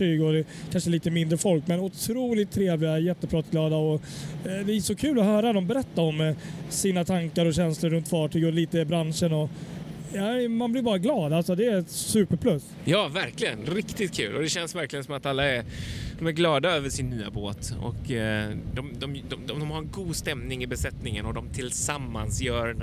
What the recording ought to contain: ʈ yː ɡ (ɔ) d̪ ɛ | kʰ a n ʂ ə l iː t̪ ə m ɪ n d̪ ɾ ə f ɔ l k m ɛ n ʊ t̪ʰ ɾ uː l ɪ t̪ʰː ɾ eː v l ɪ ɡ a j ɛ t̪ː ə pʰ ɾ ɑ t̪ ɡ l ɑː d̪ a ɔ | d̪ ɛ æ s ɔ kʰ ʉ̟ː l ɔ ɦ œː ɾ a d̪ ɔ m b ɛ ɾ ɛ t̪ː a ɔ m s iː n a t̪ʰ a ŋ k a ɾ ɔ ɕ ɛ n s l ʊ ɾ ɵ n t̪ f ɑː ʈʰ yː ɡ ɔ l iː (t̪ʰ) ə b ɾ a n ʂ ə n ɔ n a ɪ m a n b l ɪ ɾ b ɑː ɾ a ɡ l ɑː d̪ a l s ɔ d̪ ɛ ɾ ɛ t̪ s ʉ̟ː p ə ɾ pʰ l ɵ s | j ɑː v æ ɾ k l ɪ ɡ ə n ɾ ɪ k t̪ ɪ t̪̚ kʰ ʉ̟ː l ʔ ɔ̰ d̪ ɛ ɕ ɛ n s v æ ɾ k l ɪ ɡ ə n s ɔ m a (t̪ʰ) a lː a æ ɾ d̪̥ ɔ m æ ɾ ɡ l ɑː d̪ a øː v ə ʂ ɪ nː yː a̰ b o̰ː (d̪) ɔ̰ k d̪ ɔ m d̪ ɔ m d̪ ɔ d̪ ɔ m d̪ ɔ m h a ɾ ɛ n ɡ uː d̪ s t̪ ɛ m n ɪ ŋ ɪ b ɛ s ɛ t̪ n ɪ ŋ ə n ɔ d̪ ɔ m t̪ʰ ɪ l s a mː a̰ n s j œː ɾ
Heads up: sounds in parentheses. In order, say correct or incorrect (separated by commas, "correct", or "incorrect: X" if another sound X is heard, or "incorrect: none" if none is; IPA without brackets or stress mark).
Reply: correct, incorrect: t̪, incorrect: t̪, incorrect: t̪